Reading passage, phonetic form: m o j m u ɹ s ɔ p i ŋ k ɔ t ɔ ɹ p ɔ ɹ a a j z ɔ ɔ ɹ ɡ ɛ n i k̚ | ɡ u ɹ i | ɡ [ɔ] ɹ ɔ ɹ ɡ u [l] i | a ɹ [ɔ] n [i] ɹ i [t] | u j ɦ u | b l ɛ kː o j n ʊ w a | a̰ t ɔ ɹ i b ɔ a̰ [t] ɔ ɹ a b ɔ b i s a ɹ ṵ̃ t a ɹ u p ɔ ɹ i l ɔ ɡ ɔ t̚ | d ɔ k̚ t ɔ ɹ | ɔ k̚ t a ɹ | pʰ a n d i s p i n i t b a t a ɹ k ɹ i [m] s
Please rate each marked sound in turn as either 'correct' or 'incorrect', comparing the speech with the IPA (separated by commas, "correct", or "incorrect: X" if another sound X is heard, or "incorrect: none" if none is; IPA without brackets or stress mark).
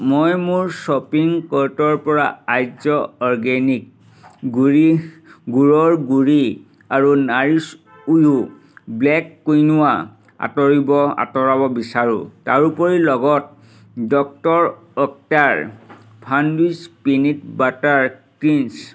incorrect: u, incorrect: ɹ, incorrect: u, incorrect: a, incorrect: s, correct, incorrect: n